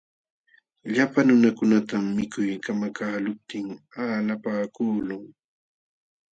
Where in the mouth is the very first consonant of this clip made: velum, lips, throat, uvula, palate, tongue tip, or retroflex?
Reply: palate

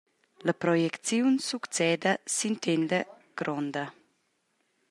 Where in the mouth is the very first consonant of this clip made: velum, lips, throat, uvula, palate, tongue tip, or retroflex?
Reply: tongue tip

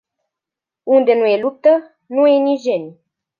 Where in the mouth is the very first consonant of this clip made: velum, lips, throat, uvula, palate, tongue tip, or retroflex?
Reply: tongue tip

